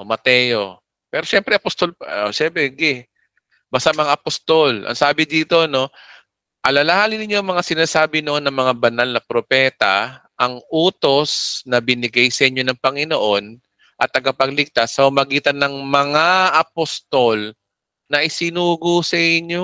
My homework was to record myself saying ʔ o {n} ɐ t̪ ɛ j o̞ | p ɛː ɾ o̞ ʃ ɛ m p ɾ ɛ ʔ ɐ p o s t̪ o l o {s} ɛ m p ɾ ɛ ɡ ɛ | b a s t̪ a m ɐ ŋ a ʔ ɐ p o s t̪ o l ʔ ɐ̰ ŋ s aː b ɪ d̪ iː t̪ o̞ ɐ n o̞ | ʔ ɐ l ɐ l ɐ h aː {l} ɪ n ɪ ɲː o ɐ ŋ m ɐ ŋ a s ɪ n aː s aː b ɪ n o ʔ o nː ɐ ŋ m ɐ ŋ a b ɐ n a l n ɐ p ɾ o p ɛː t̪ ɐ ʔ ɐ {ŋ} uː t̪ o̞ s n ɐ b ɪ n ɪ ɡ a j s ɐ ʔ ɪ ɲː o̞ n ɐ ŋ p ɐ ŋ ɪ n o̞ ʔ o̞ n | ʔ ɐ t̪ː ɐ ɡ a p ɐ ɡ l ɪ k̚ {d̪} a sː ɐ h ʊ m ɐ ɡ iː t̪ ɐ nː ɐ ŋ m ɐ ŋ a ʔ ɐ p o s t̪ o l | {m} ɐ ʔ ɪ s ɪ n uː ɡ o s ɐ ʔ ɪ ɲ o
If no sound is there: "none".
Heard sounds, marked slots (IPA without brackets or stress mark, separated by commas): m, ʃ, l, ŋ, t̪, n